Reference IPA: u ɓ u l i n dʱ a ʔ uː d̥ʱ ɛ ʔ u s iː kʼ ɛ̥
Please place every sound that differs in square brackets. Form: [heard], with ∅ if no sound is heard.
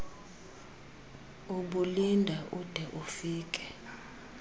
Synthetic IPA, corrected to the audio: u ɓ u l i n dʱ a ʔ [u] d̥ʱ ɛ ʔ u [f] iː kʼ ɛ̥